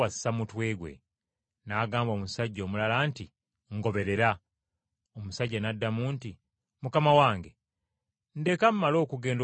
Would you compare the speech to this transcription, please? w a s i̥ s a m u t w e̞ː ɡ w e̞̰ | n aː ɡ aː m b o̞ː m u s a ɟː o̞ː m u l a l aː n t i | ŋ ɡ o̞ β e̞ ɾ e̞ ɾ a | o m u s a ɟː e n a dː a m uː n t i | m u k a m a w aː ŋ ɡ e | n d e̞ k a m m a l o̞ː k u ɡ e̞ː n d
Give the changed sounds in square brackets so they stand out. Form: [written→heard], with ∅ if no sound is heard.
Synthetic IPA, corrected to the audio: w a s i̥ s a m u t w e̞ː ɡ w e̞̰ | n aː ɡ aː m b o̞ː m u s a ɟː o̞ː m u l a l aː n t i | ŋ ɡ o̞ β e̞ ɾ e̞ ɾ a | o m u s a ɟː [e→a] n a dː a m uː n t i | m u k a m a w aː ŋ ɡ e | n d e̞ k a m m a l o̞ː k u ɡ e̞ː n d

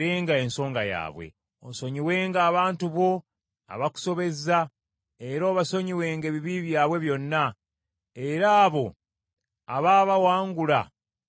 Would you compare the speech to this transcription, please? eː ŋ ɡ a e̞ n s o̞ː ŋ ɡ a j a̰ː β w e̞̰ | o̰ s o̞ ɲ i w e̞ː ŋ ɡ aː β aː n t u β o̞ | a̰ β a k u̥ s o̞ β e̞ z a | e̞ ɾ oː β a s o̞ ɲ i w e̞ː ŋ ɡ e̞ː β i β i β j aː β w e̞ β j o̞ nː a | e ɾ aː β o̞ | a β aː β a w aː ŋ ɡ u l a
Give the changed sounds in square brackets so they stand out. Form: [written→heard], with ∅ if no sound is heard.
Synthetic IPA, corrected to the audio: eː ŋ ɡ a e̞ n s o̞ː ŋ ɡ a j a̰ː β w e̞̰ | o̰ s o̞ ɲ i w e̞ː ŋ ɡ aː β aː n t u β o̞ | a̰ β a k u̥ s o̞ β e̞ z a | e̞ ɾ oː β a s o̞ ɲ i w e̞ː ŋ ɡ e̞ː β i β i β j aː β w e̞ β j o̞ nː a | e ɾ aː β o̞ | a β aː β a w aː ŋ ɡ u l a

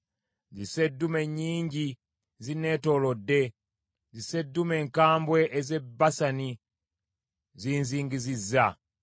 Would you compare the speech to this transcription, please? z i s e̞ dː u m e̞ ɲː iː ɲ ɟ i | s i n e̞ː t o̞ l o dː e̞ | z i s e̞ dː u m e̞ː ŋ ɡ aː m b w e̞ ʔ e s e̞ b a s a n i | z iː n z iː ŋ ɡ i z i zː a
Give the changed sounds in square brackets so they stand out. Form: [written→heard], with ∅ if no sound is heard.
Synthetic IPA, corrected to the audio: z i s e̞ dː u m e̞ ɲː iː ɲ ɟ i | [s→z] i n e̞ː t o̞ l o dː e̞ | z i s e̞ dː u m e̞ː ŋ [ɡ→k] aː m b w e̞ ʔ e [s→z] e̞ b a s a n i | z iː n z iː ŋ ɡ i z i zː a

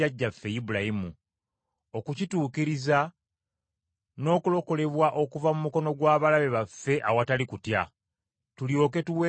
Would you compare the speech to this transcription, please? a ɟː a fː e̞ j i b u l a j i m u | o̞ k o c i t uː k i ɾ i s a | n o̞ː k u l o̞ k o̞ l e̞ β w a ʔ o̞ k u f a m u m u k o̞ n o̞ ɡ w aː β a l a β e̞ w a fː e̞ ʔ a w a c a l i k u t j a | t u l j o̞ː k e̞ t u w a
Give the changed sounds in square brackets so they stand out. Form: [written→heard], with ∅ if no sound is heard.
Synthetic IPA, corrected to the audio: a ɟː a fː e̞ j i b u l a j i m u | o̞ k [o→u] c i t uː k i ɾ i [s→z] a | n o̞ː k u l o̞ k o̞ l e̞ β w a ʔ o̞ k u [f→v] a m u m u k o̞ n o̞ ɡ w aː β a l a β e̞ [w→β] a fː e̞ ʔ a w a [c→t] a l i k u t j a | t u l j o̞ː k e̞ t u w [a→e]

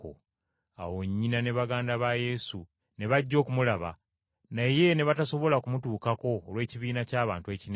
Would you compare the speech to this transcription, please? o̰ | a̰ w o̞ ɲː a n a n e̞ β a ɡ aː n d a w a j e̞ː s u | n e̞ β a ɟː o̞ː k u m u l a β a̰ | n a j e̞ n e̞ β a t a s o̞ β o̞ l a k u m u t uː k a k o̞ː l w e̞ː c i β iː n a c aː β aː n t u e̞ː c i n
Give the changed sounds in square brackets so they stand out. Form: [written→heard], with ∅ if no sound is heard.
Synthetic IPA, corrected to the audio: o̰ | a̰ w o̞ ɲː [a→i] n a n e̞ β a ɡ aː n d a [w→β] a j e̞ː s u | n e̞ β a ɟː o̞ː k u m u l a β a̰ | n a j e̞ n e̞ β a t a s o̞ β o̞ l a k u m u t uː k a k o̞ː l w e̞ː c i β iː n a c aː β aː n t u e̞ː c i n

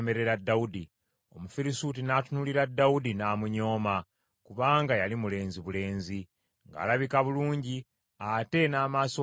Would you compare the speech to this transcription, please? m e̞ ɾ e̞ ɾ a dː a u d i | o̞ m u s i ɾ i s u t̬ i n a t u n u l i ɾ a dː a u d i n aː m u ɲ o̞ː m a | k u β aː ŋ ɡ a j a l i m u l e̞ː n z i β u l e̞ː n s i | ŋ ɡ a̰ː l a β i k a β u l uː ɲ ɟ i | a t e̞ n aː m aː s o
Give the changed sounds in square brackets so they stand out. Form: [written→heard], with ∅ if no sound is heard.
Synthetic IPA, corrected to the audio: m e̞ ɾ e̞ ɾ a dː a u d i | o̞ m u [s→f] i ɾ i s u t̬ i n a t u n u l i ɾ a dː a u d i n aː m u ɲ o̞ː m a | k u β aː ŋ ɡ a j a l i m u l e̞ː n z i β u l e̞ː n [s→z] i | ŋ ɡ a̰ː l a β i k a β u l uː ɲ ɟ i | a t e̞ n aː m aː s o

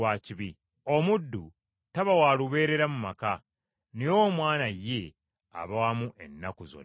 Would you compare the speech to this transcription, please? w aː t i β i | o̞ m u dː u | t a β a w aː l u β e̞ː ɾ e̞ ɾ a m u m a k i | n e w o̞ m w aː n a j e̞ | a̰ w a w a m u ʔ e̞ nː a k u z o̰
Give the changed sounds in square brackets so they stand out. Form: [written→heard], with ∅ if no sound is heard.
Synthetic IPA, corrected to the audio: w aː [t→c] i β i | o̞ m u dː u | t a β a w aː l u β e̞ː ɾ e̞ ɾ a m u m a k [i→a] | n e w o̞ m w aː n a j e̞ | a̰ [w→β] a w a m u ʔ e̞ nː a k u z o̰

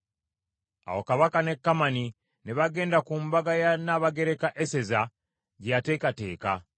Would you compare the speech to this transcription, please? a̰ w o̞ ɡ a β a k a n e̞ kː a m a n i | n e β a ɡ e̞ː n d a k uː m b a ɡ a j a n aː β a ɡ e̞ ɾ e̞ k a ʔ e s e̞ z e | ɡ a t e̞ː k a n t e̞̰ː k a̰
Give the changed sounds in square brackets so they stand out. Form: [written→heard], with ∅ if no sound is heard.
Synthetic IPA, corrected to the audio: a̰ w o̞ [ɡ→k] a β a k a n e̞ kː a m a n i | n e β a ɡ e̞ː n d a k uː m b a ɡ a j a n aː β a ɡ e̞ ɾ e̞ k a ʔ e s e̞ z [e→a] | [ɡ→ɟ] a t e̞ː k a [n→∅] t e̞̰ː k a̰

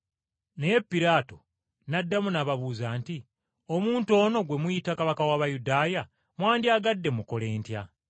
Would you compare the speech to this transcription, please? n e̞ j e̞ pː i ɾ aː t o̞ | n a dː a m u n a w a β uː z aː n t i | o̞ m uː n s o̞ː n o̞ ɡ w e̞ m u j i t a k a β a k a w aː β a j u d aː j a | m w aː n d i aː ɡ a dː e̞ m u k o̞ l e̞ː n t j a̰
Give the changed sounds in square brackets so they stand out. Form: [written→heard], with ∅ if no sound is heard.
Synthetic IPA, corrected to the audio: n e̞ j e̞ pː i ɾ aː t o̞ | n a dː a m u n a [w→β] a β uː z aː n t i | o̞ m uː n [s→t] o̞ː n o̞ ɡ w e̞ m u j i t a k a β a k a w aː β a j u d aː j a | m w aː n d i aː ɡ a dː e̞ m u k o̞ l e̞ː n t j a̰

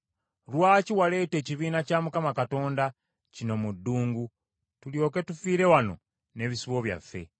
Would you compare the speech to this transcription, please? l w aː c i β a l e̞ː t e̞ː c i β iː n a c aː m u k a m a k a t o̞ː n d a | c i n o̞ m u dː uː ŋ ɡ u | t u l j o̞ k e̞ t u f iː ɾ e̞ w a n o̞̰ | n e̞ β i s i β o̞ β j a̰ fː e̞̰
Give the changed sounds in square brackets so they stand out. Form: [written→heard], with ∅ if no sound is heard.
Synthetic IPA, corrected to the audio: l w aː c i [β→w] a l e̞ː t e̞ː c i β iː n a c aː m u k a m a k a t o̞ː n d a | c i n o̞ m u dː uː ŋ ɡ u | t u l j o̞ k e̞ t u f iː ɾ e̞ w a n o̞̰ | n e̞ β i s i β o̞ β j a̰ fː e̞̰

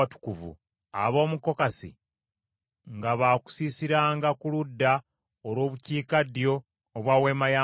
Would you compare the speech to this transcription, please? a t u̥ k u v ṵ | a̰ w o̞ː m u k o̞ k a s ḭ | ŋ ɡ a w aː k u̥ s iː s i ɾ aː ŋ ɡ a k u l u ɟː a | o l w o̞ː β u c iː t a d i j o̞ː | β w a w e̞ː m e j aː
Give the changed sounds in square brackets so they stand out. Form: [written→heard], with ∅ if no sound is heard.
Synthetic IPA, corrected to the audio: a t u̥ k u v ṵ | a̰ [w→β] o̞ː m u k o̞ k a s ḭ | ŋ ɡ a [w→β] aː k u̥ s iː s i ɾ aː ŋ ɡ a k u l u [ɟː→dː] a | o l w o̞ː β u c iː [t→k] a d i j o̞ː | β w a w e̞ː m [e→a] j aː

